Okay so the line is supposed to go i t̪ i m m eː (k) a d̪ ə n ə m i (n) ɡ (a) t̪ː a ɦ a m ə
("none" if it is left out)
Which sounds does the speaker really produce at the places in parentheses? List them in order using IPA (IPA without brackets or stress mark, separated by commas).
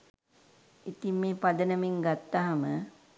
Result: p, ŋ, a